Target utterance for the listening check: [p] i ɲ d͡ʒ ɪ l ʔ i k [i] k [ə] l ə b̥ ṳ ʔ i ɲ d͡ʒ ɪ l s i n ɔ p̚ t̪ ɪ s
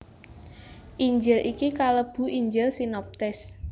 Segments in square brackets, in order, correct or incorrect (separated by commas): incorrect, correct, incorrect